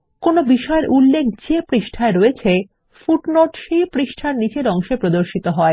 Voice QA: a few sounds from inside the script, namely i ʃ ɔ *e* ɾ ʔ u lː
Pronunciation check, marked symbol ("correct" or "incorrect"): correct